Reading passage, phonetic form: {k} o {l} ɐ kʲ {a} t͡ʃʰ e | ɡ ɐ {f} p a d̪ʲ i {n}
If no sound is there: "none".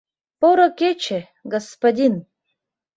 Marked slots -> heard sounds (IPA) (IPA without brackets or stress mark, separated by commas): p, ɾ, e, s, n